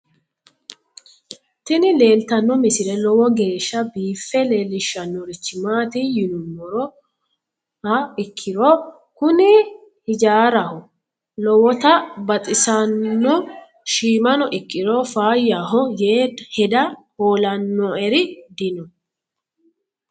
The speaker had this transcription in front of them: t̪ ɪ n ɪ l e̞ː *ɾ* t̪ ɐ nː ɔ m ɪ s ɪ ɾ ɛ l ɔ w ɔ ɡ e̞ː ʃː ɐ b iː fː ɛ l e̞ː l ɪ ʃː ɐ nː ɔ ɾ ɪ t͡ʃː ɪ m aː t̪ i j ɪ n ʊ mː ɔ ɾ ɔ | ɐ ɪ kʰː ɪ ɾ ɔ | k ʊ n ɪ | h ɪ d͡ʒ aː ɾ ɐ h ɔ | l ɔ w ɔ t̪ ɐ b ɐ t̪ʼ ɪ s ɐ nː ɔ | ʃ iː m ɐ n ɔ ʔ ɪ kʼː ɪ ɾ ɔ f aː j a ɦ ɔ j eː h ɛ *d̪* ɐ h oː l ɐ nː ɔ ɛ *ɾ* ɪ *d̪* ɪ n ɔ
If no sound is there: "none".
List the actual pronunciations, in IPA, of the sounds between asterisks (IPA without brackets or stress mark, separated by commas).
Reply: l, d̪, ɾ, d̪